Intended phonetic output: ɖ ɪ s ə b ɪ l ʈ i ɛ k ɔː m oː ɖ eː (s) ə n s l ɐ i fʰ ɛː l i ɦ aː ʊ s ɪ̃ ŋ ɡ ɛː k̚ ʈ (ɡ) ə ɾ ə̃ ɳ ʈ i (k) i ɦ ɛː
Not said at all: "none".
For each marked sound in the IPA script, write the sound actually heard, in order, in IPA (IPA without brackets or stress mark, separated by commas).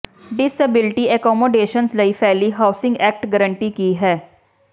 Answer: ʃ, ɡ, k